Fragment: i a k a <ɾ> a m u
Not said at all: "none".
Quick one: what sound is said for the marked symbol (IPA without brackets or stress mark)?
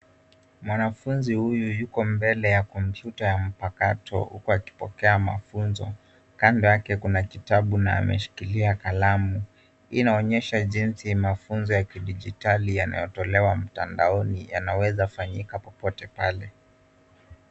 l